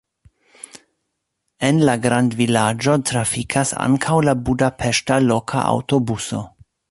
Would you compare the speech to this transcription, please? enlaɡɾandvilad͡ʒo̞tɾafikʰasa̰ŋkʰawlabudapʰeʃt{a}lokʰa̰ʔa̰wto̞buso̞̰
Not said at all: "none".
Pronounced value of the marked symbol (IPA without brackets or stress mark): a